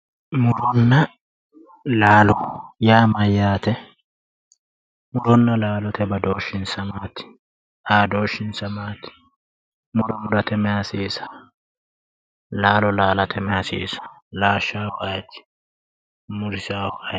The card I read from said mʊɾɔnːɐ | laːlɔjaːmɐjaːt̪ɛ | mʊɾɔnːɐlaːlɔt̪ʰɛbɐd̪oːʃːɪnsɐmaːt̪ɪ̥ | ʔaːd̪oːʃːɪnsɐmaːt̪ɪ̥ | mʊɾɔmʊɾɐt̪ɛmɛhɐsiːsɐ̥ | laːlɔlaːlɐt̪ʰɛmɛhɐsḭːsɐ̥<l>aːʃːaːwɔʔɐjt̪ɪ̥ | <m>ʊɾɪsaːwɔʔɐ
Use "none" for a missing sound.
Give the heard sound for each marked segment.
l, m

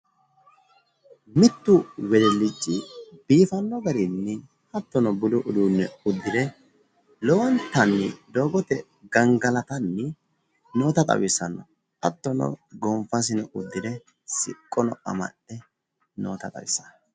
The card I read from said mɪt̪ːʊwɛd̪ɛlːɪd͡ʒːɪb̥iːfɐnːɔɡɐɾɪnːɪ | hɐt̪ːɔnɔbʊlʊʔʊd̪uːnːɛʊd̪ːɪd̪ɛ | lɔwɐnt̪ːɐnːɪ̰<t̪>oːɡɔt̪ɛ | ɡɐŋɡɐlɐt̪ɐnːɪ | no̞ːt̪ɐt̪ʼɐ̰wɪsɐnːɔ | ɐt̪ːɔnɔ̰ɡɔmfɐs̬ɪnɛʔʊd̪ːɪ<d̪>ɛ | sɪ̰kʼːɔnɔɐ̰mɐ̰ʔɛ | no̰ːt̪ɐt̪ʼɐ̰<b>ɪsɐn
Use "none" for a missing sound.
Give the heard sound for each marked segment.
d̪, d̪, w

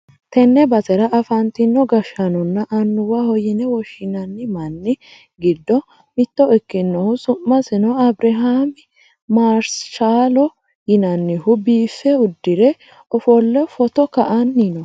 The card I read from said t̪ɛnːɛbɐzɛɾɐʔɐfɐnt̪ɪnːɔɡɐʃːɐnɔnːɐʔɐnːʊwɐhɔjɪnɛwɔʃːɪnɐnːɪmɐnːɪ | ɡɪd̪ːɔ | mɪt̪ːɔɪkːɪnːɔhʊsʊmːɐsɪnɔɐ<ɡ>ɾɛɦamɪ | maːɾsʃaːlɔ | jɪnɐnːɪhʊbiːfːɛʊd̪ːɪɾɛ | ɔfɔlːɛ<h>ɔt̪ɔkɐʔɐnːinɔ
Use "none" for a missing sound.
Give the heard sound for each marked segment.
b, f

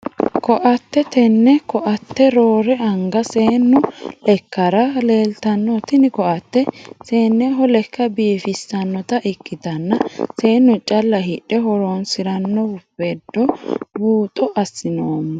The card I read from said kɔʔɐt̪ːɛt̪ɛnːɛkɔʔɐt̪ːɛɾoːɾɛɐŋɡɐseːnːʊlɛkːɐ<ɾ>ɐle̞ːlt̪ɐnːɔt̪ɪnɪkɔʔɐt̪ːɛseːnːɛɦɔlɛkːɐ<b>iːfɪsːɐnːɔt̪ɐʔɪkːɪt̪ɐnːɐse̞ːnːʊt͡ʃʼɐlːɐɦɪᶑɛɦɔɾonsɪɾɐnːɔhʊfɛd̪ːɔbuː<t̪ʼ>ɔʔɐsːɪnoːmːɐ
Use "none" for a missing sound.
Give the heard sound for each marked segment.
ɾ, b, t̪ʼ

